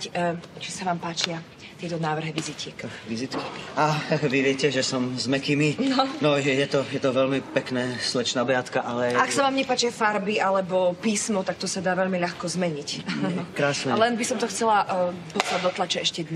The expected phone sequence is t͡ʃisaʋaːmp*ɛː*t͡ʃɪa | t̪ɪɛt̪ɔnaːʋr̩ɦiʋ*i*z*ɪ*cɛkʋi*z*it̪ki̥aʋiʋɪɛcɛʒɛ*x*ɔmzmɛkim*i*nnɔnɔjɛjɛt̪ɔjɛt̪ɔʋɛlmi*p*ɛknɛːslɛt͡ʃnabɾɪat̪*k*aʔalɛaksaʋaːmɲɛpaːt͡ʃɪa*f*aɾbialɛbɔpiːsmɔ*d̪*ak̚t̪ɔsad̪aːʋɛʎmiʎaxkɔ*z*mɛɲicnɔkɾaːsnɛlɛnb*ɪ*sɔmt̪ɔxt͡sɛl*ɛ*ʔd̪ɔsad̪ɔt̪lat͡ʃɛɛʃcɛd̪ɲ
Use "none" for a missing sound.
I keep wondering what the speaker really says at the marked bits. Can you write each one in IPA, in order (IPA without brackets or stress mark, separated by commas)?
aː, i, i, z, s, i, p, k, f, t̪, z, i, a